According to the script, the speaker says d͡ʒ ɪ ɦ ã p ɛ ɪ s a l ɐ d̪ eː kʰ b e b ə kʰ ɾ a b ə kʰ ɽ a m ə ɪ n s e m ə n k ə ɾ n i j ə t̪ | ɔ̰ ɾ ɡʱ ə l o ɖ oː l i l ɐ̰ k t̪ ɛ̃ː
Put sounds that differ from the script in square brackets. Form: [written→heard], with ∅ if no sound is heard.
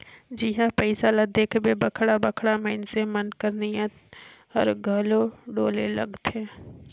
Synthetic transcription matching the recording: d͡ʒ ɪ ɦ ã p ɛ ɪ s a l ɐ d̪ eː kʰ b e b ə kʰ [ɾ→ɽ] a b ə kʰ ɽ a m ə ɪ n s e m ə n k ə ɾ n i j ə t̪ | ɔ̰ ɾ ɡʱ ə l o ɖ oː l [i→e] l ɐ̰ [k→ɡ] t̪ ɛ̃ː

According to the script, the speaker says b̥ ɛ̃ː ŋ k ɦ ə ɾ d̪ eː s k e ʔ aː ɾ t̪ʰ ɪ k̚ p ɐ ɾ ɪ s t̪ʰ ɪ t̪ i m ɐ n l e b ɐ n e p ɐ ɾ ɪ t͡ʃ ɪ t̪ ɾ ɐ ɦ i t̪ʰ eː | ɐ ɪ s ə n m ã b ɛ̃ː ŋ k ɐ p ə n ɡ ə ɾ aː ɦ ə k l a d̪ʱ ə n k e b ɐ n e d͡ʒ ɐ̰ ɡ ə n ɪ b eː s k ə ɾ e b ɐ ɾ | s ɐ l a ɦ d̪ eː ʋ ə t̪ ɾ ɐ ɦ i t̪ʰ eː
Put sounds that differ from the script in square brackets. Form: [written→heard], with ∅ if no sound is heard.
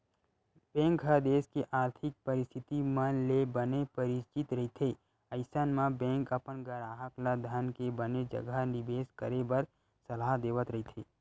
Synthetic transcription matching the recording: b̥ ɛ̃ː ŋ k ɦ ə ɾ d̪ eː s k e ʔ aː ɾ t̪ʰ ɪ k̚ p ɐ ɾ ɪ s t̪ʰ ɪ t̪ i m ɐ n l e b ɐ n e p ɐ ɾ ɪ t͡ʃ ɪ t̪ ɾ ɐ ɦ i t̪ʰ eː | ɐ ɪ s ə n m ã b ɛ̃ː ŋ k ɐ p ə n ɡ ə ɾ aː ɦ ə k l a d̪ʱ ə n k e b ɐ n e d͡ʒ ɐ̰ ɡ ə n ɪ b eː s k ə ɾ e b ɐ ɾ | s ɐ l a ɦ d̪ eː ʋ ə t̪ ɾ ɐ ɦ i t̪ʰ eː

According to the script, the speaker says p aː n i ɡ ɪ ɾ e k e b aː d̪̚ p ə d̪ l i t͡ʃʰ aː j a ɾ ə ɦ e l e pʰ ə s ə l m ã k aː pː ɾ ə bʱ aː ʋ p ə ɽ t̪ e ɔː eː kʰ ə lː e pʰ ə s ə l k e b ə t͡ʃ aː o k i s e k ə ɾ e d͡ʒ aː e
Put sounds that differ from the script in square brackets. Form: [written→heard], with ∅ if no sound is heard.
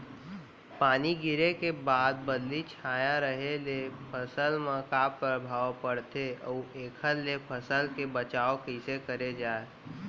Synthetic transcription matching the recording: p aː n i ɡ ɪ ɾ e k e b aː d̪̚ [p→b] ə d̪ l i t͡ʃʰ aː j a ɾ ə ɦ e l e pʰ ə s ə l m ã k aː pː ɾ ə bʱ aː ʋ p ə ɽ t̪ e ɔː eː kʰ ə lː e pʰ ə s ə l k e b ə t͡ʃ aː o k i s e k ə ɾ e d͡ʒ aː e

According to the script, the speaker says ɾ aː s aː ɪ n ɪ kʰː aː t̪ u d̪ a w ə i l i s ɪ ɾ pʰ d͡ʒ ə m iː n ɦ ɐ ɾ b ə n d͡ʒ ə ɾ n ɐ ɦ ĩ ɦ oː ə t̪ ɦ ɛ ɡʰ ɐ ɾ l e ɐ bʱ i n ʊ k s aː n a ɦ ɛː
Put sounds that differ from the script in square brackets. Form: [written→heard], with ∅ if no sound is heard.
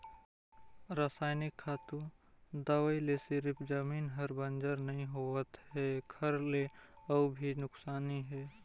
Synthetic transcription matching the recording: ɾ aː s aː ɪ n ɪ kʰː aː t̪ u d̪ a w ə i l [i→e] s ɪ ɾ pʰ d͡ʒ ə m iː n ɦ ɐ ɾ b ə n d͡ʒ ə ɾ n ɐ ɦ ĩ ɦ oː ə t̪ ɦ ɛ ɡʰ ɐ ɾ l e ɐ bʱ i n ʊ k s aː n [a→i] ɦ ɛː

